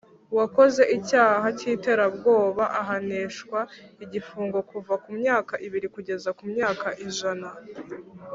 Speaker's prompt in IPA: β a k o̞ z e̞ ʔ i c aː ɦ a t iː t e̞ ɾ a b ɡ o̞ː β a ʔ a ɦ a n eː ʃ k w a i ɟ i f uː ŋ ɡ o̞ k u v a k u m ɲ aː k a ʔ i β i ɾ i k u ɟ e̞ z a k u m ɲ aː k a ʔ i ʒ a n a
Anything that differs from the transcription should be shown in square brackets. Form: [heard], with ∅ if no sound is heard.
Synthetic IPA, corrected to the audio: [w] a k o̞ z e̞ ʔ i c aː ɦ a [c] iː t e̞ ɾ a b ɡ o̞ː β a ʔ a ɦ a n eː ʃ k w a i ɟ i f uː ŋ ɡ o̞ k u v a k u m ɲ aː k a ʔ i β i ɾ i k u ɟ e̞ z a k u m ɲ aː k a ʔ i ʒ a n a